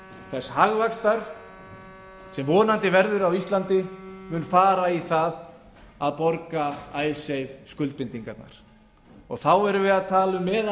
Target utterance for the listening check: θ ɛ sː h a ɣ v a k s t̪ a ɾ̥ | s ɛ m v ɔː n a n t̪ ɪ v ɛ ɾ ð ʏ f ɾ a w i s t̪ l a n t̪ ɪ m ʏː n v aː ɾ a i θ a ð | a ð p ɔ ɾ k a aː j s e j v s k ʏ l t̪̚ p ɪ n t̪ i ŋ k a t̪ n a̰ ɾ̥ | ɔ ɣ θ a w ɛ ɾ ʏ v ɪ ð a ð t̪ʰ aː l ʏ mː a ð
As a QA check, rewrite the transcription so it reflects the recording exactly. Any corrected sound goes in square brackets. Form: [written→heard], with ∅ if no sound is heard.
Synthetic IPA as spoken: θ ɛ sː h a ɣ v a k s t̪ a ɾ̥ | s ɛ m v ɔː n a n t̪ ɪ v ɛ ɾ ð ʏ [f→∅] ɾ a w i s t̪ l a n t̪ ɪ m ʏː n [v→f] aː ɾ a i θ a ð | a ð p ɔ ɾ k a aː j s e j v s k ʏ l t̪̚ p ɪ n t̪ i ŋ k a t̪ n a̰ ɾ̥ | ɔ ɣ θ a w ɛ ɾ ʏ v ɪ ð a ð t̪ʰ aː l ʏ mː [a→ɛ] ð